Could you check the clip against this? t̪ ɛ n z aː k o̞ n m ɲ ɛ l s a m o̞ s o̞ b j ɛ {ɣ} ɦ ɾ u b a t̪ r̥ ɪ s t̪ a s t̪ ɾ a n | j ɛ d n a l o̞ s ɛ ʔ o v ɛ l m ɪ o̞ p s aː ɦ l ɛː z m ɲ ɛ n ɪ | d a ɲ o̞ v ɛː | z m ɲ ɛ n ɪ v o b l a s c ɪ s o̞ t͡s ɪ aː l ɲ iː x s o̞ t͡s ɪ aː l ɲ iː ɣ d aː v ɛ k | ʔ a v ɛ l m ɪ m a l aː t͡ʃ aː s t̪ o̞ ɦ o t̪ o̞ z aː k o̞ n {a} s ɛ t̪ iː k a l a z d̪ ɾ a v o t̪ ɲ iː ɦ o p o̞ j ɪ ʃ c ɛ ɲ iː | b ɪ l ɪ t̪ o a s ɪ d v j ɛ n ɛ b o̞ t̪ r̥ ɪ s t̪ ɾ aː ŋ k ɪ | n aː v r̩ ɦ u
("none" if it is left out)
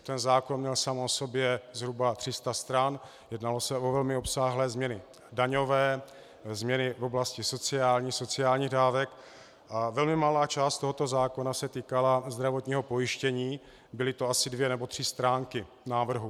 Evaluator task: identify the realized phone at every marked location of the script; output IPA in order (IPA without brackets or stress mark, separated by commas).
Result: z, a